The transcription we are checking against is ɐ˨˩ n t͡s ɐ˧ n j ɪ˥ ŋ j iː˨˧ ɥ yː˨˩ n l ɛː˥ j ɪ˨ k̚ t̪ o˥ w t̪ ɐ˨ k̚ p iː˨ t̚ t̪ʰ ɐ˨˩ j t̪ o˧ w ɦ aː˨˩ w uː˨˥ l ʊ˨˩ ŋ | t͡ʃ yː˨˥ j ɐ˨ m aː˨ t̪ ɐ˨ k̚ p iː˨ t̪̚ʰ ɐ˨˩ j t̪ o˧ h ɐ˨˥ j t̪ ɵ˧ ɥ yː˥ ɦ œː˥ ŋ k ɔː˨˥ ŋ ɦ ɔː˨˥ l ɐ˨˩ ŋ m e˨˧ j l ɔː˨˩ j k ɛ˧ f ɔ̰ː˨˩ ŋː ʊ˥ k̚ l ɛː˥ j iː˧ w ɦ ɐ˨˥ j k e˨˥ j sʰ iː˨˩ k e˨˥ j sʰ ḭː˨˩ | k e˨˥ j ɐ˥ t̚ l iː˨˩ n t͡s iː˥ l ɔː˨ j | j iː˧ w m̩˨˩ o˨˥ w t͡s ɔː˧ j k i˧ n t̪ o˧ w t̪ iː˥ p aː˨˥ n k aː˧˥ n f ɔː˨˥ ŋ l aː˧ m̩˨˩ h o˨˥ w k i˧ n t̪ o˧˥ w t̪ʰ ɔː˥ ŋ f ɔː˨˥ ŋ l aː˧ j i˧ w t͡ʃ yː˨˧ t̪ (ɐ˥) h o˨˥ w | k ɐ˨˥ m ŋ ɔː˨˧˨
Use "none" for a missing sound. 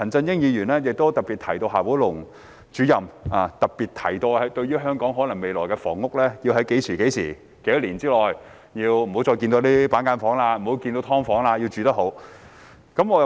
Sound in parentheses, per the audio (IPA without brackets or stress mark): ɐ˥